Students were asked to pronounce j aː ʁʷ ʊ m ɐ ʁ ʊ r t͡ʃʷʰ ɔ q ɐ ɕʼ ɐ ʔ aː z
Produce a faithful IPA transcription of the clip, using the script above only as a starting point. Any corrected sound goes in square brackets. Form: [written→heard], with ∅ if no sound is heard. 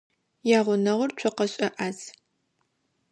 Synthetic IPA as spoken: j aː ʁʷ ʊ [m→n] ɐ ʁ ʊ r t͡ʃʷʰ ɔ q ɐ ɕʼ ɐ ʔ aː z